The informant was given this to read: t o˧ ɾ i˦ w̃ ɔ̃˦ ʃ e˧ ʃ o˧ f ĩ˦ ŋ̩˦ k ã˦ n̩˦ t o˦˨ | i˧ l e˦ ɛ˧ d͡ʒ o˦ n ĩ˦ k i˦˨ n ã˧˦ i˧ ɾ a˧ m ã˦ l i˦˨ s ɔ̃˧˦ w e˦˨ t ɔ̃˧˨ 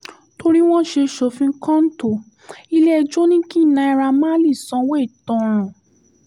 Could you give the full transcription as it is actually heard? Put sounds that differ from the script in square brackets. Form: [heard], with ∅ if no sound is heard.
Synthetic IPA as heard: t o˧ ɾ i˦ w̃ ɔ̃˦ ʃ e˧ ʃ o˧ f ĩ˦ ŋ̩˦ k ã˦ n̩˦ t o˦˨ | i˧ l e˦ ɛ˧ d͡ʒ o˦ n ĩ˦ k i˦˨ n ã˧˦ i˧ ɾ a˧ m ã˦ l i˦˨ s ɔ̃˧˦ w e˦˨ t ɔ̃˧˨